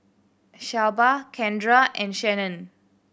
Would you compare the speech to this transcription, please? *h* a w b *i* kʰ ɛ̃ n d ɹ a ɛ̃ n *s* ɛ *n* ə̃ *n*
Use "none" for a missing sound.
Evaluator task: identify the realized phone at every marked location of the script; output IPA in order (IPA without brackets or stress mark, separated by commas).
ʃ, a, ʃ, n, n